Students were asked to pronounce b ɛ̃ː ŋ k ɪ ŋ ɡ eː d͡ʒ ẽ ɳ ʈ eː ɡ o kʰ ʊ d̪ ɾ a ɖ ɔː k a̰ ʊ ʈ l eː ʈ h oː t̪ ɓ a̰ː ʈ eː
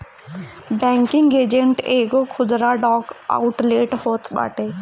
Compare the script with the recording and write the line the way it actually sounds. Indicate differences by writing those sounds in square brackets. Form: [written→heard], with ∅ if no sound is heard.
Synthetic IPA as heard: b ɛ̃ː ŋ k ɪ ŋ ɡ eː d͡ʒ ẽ ɳ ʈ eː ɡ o kʰ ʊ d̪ ɾ a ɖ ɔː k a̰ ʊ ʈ l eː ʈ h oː t̪ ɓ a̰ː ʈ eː